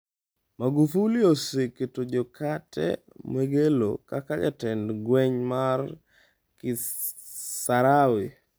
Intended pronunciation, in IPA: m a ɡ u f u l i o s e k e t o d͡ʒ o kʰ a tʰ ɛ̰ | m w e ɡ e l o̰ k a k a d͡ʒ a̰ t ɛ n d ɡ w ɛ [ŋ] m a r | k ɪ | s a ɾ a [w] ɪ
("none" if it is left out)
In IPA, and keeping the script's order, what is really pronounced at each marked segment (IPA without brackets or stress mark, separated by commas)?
ɲ, w